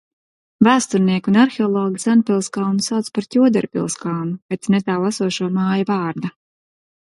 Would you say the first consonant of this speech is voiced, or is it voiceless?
voiced